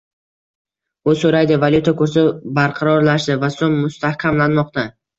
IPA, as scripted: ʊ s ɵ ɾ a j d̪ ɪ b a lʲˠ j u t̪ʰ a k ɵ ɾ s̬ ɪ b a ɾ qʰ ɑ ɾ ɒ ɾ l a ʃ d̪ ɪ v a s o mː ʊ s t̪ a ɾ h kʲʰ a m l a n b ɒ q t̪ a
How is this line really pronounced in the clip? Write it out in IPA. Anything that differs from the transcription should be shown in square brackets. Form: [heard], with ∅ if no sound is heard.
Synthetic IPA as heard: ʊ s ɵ ɾ a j d̪ ɪ [v] a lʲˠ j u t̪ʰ a k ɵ ɾ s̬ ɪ b a ɾ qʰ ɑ ɾ ɒ ɾ l a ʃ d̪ ɪ v a s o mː ʊ s t̪ a [∅] h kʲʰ a m l a n [m] ɒ q t̪ a